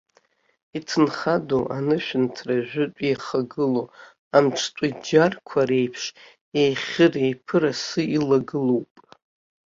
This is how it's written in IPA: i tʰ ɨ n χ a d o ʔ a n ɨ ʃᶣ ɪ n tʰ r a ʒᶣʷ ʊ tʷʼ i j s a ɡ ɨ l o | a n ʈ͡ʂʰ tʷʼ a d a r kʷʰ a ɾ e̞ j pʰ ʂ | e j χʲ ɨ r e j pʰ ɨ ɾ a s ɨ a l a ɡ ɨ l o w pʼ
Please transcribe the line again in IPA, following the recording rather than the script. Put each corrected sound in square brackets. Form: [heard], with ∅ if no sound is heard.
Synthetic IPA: i tʰ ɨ n χ a d o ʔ a n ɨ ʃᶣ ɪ n tʰ r a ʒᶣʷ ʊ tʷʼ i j [χ] a ɡ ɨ l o | a [m] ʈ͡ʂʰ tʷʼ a [d͡ʒ] a r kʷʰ a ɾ e̞ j pʰ ʂ | e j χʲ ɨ r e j pʰ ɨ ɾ a s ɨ [i] l a ɡ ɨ l o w pʼ